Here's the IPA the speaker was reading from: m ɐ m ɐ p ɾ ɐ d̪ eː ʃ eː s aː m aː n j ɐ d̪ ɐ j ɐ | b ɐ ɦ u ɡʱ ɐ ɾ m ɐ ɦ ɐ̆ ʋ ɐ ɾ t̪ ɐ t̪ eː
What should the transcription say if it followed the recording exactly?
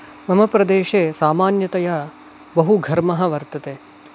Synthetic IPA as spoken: m ɐ m ɐ p ɾ ɐ d̪ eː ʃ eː s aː m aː n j ɐ t̪ ɐ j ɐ | b ɐ ɦ u ɡʱ ɐ ɾ m ɐ ɦ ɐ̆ ʋ ɐ ɾ t̪ ɐ t̪ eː

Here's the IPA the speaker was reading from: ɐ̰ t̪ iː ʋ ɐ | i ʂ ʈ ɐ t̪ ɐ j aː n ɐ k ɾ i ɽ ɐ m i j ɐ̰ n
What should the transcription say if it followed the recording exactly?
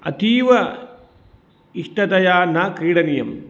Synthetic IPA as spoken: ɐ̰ t̪ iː ʋ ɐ | i ʂ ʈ ɐ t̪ ɐ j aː n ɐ k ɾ iː ɽ ɐ n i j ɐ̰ m

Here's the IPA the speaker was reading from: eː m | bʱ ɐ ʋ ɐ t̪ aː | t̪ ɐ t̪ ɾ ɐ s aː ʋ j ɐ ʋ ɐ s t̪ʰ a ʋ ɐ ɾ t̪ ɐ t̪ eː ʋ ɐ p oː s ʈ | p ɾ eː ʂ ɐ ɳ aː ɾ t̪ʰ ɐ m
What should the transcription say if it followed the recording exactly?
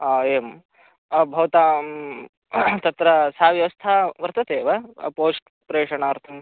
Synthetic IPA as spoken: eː m | bʱ ɐ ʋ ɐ t̪ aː | t̪ ɐ t̪ ɾ ɐ s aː ʋ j ɐ ʋ ɐ s t̪ʰ a ʋ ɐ ɾ t̪ ɐ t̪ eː ʋ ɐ p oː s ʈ | p ɾ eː ʂ ɐ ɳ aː ɾ t̪ʰ ɐ m

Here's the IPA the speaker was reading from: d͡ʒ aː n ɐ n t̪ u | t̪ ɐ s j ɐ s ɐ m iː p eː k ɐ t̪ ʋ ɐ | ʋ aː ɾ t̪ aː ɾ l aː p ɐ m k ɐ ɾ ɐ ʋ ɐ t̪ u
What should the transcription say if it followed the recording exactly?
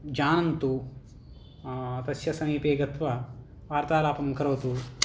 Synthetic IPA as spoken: d͡ʒ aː n ɐ n t̪ u | t̪ ɐ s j ɐ s ɐ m iː p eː ɡ ɐ t̪ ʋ ɐ | ʋ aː ɾ t̪ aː l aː p ɐ m k ɐ ɾ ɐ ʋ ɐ t̪ u

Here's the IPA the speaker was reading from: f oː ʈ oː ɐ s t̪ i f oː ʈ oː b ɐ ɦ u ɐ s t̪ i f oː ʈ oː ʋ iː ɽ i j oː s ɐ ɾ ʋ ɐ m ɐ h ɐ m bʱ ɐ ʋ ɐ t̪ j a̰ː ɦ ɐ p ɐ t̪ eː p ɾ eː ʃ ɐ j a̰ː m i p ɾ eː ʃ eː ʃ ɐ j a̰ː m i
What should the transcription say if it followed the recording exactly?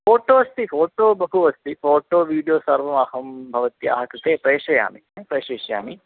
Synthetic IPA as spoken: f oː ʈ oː ɐ s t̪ i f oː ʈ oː b ɐ ɦ u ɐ s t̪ i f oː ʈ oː ʋ iː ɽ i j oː s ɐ ɾ ʋ ɐ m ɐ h ɐ m bʱ ɐ ʋ ɐ t̪ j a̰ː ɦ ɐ k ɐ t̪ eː p ɾ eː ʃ ɐ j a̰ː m i p ɾ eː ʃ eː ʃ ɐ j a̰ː m i

